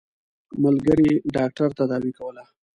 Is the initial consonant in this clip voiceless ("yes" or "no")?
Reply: no